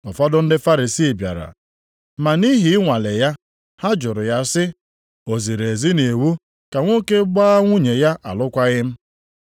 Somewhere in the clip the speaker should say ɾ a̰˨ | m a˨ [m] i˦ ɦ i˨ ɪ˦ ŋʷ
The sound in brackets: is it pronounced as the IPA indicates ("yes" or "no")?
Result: no